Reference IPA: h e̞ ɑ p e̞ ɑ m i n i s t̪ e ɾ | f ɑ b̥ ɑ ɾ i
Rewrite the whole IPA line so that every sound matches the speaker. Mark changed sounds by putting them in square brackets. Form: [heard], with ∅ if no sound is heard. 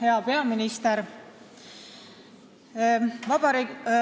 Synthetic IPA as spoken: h e̞ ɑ p e̞ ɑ m i n i s t̪ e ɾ | [v] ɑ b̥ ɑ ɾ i